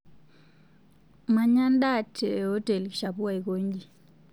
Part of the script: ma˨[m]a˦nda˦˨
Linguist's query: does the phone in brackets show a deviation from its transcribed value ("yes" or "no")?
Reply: yes